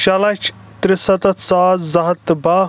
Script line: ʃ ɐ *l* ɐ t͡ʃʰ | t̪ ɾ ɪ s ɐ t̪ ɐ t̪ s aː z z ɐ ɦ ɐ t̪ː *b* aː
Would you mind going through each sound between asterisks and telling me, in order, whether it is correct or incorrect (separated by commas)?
correct, correct